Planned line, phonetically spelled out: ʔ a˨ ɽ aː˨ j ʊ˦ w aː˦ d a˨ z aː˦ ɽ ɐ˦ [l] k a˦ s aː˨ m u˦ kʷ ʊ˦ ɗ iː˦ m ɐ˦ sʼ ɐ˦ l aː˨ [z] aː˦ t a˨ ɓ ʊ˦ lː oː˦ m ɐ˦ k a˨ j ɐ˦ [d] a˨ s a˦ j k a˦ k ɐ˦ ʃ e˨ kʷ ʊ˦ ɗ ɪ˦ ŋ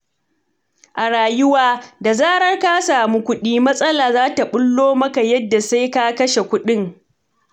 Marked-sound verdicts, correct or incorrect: incorrect, correct, incorrect

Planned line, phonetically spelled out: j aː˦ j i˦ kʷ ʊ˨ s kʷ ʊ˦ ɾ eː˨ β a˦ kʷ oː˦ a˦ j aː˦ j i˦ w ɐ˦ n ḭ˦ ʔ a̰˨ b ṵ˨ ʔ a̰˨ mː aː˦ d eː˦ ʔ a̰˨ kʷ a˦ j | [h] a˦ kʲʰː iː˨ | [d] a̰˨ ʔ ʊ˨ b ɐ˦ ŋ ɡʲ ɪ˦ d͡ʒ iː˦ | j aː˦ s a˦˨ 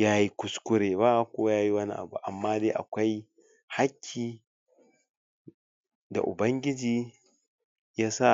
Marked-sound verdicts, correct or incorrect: correct, correct

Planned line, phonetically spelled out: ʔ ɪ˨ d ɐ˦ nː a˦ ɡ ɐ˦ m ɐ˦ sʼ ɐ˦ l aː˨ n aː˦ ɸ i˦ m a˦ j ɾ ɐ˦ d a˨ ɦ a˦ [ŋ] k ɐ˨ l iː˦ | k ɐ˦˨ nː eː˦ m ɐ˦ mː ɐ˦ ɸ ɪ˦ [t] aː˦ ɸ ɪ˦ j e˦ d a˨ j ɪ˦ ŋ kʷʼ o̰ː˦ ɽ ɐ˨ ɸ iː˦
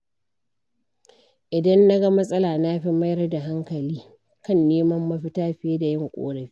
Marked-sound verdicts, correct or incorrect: correct, correct

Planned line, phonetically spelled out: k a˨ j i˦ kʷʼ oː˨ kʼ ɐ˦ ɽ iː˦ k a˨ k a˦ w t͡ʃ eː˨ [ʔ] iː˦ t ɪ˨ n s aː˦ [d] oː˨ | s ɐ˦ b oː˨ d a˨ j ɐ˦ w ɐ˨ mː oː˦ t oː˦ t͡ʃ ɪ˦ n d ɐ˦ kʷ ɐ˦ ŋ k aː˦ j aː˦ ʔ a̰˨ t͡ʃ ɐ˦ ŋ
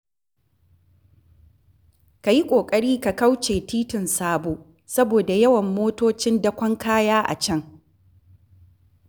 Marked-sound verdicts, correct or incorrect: incorrect, incorrect

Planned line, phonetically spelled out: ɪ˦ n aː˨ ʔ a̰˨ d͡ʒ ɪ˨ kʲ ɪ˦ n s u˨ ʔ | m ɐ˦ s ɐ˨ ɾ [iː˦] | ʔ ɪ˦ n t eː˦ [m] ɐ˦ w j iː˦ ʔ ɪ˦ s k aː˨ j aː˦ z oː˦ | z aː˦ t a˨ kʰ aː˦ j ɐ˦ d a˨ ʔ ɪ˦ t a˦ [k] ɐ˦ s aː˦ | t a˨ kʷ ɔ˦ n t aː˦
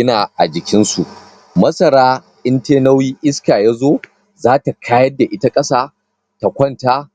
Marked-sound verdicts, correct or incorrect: incorrect, incorrect, incorrect

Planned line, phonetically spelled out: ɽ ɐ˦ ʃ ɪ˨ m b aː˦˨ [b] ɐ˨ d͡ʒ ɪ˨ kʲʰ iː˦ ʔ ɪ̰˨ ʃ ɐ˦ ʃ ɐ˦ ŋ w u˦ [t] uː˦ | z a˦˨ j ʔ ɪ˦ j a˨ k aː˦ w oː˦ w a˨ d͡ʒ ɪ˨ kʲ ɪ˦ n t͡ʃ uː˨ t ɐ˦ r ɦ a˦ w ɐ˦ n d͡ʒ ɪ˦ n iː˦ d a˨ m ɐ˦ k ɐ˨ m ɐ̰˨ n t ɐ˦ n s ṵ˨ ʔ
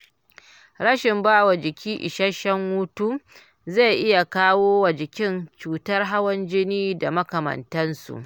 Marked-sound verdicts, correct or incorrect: incorrect, correct

